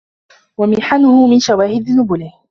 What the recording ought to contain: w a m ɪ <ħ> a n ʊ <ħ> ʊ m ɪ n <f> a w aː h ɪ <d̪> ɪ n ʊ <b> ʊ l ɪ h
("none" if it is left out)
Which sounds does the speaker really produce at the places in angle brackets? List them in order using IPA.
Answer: ħ, h, ʃ, d̪, b

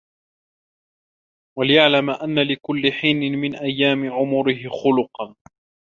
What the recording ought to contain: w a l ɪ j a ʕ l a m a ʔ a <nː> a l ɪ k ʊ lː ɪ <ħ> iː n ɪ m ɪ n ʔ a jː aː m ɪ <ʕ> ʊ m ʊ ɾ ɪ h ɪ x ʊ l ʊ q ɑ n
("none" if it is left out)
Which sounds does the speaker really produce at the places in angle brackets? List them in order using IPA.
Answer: nː, ħ, ʕ

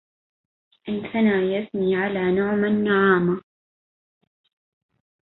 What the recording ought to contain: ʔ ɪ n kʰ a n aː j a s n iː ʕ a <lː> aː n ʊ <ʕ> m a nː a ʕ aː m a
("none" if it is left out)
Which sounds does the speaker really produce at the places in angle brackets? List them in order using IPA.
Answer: l, ʕ

